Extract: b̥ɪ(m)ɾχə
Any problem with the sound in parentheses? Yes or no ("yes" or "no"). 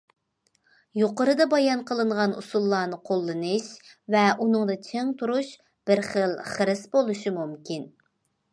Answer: yes